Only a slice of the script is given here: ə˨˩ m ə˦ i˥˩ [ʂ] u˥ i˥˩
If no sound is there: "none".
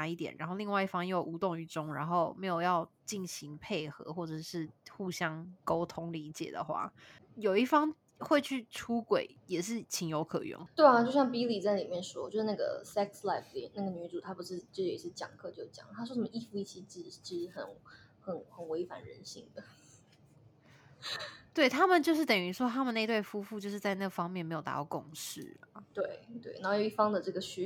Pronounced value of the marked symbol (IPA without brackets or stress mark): f